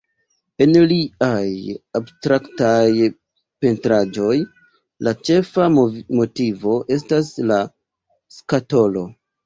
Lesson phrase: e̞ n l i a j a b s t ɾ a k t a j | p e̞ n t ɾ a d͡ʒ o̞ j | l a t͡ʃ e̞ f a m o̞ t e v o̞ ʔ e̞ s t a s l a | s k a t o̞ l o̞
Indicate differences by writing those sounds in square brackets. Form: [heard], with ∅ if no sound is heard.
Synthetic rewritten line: e̞ n l i a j a b s t ɾ a k t a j | p e̞ n t ɾ a d͡ʒ o̞ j | l a t͡ʃ e̞ f a m o̞ t [i] v o̞ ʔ e̞ s t a s l a | s k a t o̞ l o̞